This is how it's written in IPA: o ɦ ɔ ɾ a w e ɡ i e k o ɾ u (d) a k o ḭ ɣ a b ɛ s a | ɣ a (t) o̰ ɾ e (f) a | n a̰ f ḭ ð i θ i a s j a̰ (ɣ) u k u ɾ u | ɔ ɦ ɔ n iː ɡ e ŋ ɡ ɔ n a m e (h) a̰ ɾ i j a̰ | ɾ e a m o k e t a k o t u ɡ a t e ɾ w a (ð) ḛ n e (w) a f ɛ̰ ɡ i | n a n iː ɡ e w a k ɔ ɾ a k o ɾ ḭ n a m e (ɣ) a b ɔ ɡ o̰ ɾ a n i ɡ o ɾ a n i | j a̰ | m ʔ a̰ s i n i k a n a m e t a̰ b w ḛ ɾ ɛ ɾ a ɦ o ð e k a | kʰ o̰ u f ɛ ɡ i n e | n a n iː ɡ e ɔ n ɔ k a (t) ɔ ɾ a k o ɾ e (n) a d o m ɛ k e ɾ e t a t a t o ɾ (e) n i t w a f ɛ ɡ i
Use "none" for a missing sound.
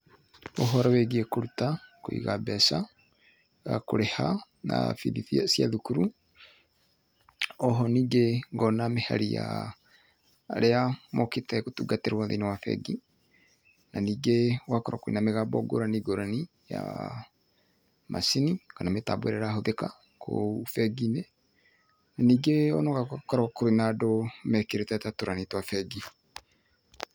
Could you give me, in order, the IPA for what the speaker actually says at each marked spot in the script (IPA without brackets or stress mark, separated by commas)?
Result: t, k, h, ð, h, ð, w, ɣ, k, n, a